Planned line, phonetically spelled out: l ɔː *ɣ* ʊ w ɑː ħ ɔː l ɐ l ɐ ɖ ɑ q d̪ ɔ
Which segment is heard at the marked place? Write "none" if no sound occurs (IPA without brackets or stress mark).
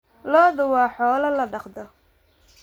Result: ð